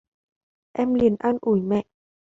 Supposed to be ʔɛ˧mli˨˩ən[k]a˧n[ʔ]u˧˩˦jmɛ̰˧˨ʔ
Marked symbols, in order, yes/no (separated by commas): no, yes